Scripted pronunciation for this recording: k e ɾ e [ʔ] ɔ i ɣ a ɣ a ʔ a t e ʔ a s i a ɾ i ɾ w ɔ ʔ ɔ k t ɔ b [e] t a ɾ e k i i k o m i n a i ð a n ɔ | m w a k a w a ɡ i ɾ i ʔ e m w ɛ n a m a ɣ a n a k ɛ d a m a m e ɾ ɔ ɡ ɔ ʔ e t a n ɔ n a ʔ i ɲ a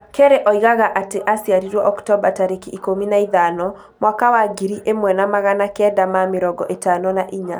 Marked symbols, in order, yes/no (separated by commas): yes, no